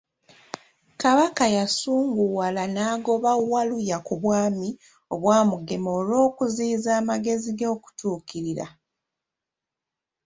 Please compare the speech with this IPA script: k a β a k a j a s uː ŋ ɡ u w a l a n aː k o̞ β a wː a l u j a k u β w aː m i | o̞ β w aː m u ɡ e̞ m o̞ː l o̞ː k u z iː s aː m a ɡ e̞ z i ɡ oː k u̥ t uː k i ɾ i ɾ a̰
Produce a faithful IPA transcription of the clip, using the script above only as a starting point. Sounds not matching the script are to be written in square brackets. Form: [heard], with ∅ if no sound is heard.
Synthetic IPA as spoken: k a β a k a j a s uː ŋ ɡ u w a l a n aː [ɡ] o̞ β a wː a l u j a k u β w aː m i | o̞ β w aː m u ɡ e̞ m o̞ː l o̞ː k u z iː [z] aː m a ɡ e̞ z i ɡ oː k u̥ t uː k i ɾ i ɾ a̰